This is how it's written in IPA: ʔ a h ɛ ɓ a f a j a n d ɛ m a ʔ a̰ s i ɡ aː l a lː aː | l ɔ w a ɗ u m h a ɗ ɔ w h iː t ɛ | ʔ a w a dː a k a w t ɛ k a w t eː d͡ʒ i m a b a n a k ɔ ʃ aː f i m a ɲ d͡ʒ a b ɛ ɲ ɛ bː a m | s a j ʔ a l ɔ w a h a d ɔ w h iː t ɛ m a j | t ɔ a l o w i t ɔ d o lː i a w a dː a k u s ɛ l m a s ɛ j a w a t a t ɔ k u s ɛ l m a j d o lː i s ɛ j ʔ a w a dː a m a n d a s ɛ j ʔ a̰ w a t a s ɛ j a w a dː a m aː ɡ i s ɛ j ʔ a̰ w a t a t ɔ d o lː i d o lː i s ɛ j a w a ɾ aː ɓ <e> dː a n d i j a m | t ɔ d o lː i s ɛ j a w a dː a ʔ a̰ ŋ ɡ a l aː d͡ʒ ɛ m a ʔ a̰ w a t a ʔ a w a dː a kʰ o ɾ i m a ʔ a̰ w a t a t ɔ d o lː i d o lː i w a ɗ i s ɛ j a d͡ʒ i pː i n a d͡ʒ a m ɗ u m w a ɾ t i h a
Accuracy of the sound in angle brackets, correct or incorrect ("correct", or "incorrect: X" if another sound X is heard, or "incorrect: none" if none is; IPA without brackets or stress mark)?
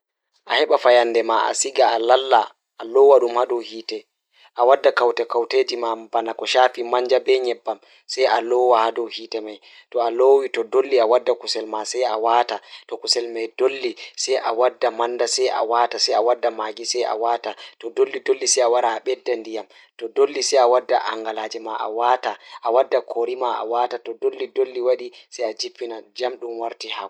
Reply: incorrect: ɛ